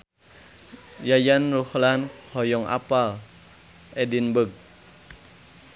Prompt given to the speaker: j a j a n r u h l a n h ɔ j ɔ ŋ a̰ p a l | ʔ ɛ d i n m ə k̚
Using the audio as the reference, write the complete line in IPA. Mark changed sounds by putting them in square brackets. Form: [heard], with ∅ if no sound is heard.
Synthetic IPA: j a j a n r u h l a n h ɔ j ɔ ŋ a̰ p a l | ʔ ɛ d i n [b] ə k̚

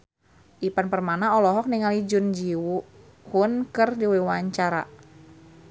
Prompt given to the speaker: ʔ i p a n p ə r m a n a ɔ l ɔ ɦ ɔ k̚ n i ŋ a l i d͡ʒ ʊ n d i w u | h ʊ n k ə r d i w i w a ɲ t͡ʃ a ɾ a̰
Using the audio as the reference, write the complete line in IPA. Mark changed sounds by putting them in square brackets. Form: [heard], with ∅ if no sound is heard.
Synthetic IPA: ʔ i p a n p ə r m a n a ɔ l ɔ ɦ ɔ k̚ n i ŋ a l i d͡ʒ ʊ n [d͡ʒ] i w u | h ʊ n k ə r d i w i w a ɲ t͡ʃ a ɾ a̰

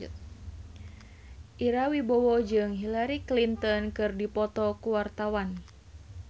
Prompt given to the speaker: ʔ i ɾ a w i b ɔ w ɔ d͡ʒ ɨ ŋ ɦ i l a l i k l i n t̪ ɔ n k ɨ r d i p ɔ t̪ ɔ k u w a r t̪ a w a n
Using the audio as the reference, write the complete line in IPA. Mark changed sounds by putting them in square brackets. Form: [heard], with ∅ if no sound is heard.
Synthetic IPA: ʔ i ɾ a w i b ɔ w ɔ d͡ʒ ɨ ŋ ɦ i l a [ɾ] i k l i n t̪ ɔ n k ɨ r d i p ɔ t̪ ɔ k u w a r t̪ a w a n

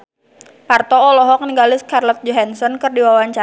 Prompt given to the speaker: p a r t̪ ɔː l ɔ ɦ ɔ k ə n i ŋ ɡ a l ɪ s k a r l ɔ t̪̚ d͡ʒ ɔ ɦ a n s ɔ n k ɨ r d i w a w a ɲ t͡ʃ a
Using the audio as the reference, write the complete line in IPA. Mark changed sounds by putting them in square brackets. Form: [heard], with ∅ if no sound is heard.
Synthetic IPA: p a r t̪ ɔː l ɔ ɦ ɔ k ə n i ŋ ɡ a l ɪ s k a r l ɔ t̪̚ d͡ʒ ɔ ɦ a n s ɔ n k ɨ r d i w a w a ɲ t͡ʃ a

